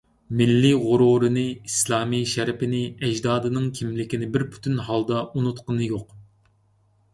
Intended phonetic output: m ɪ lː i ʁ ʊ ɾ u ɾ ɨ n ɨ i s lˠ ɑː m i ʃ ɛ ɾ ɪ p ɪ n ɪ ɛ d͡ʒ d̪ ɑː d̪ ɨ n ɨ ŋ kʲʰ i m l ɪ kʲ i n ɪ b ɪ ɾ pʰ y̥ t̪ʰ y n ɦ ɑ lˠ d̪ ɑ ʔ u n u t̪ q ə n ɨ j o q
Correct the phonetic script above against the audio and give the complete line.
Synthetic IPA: m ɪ lː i ʁ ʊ ɾ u ɾ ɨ n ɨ i s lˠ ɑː m i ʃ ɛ ɾ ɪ p ɪ n ɪ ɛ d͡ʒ d̪ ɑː d̪ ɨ n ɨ ŋ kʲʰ i m l ɪ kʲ i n ɪ b ɪ ɾ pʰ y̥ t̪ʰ y n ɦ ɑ lˠ d̪ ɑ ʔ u n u t̪ q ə n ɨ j o q